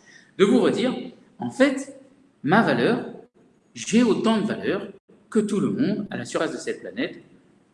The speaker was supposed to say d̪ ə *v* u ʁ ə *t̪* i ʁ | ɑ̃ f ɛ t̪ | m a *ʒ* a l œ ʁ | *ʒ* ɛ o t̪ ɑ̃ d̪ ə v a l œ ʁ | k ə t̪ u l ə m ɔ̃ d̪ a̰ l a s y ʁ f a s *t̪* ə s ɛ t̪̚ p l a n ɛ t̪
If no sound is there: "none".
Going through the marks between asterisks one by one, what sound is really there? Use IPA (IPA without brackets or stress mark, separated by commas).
v, d̪, v, ʒ, d̪